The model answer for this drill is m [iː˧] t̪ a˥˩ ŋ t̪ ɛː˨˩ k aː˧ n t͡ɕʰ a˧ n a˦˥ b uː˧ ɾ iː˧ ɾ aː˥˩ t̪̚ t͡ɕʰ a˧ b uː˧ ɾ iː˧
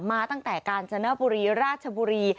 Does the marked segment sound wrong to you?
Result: yes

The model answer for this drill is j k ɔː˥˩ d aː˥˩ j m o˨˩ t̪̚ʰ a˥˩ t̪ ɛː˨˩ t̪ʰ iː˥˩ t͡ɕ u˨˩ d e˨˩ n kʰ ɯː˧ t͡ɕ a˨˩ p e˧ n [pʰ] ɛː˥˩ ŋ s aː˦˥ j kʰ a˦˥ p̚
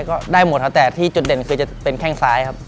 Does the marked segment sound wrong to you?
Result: yes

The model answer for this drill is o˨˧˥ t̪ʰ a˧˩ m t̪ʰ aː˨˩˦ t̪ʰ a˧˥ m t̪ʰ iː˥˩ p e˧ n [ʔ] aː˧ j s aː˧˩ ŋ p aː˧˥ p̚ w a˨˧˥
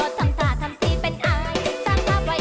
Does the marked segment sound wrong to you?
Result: no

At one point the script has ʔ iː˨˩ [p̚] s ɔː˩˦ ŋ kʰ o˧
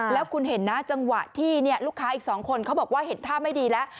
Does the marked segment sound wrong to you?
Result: yes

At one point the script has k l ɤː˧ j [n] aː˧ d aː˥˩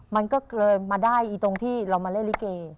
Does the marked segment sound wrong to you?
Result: yes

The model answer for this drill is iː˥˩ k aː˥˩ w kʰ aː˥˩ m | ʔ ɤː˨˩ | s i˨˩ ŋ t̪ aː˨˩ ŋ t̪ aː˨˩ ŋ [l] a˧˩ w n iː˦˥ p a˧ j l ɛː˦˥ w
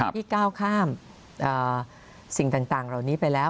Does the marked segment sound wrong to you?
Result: yes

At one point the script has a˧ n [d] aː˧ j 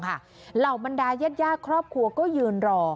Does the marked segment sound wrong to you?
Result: no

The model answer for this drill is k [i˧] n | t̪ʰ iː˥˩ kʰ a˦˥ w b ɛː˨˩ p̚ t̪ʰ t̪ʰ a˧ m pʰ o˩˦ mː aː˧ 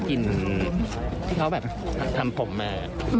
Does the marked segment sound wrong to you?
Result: no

